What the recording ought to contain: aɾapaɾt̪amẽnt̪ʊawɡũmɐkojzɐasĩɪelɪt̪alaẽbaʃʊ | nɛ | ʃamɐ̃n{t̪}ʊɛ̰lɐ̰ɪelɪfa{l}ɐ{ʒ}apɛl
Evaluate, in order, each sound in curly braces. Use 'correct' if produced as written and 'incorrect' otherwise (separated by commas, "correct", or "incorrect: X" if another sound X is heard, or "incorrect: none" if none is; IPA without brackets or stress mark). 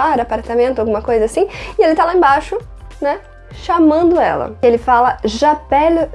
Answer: incorrect: d̪, correct, correct